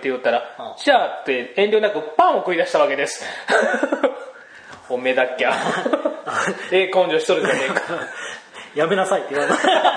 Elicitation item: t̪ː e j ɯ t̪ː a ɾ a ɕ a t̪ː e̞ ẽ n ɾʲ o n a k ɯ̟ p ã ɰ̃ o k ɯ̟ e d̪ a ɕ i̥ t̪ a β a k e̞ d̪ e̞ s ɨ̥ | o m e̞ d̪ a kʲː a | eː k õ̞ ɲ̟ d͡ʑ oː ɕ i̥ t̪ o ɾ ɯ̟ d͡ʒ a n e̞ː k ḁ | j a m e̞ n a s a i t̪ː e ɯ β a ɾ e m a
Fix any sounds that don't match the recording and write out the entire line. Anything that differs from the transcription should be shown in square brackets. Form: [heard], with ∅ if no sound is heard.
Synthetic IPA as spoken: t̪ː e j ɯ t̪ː a ɾ a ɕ a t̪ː e̞ ẽ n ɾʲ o n a k ɯ̟ p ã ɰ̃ o k ɯ̟ [i] d̪ a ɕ i̥ t̪ a β a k e̞ d̪ e̞ s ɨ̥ | o m e̞ d̪ a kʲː a | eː k õ̞ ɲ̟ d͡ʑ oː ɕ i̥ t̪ o ɾ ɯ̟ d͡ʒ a n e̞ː k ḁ | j a m e̞ n a s a i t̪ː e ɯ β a ɾ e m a